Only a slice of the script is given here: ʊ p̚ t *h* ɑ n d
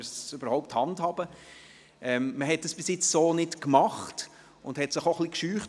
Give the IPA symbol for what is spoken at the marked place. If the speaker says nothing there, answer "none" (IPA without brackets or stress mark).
h